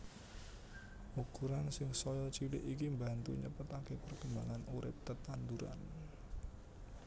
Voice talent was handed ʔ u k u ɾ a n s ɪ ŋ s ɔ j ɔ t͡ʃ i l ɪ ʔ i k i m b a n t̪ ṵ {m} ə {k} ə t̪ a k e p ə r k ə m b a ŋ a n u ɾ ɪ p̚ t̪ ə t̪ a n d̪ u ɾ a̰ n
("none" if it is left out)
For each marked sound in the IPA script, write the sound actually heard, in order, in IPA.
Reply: ɲ, p

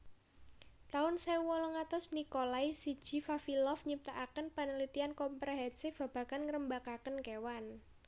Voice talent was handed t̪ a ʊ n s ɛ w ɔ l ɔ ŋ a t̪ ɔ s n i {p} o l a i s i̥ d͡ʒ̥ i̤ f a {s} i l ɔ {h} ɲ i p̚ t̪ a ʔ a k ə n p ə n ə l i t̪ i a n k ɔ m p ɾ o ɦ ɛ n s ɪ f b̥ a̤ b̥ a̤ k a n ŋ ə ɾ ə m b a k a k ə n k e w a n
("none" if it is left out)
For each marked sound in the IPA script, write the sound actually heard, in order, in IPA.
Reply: k, f, f

